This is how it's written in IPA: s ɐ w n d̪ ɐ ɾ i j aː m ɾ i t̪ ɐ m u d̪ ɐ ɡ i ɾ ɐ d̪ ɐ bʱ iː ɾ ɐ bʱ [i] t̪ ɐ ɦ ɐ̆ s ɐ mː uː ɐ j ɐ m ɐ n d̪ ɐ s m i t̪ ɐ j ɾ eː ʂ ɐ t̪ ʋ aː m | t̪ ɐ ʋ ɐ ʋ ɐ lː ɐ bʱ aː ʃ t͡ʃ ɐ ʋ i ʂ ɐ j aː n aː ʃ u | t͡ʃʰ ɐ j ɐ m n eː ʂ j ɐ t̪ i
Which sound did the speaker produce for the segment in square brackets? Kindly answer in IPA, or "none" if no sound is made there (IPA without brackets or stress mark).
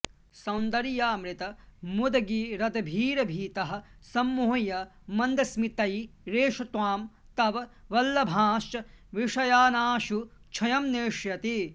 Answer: iː